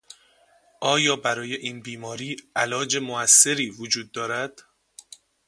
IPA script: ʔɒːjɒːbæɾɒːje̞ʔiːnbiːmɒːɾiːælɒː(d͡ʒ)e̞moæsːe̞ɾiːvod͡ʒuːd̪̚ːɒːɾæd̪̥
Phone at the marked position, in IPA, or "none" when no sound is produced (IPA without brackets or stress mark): d͡ʒ